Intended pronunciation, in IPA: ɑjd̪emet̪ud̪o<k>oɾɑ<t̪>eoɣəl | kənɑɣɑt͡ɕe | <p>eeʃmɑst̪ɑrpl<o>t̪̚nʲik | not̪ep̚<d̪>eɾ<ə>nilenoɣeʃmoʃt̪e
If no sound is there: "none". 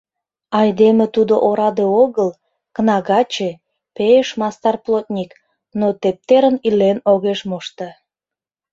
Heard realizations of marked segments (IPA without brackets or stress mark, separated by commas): ʔ, d̪, p, o, t̪, ə